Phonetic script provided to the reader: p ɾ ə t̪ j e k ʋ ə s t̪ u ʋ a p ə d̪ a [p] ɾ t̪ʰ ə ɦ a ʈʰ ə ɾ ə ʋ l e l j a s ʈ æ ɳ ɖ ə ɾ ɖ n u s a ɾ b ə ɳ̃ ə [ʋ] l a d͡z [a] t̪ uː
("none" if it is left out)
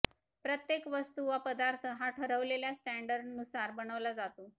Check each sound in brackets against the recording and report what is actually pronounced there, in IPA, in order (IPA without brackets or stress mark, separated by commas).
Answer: none, ʋ, a